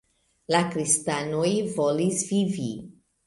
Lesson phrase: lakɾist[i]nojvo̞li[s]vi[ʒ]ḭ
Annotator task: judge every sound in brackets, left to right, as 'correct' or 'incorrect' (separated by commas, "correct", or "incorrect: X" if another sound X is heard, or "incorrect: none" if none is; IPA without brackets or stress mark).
incorrect: a, correct, incorrect: v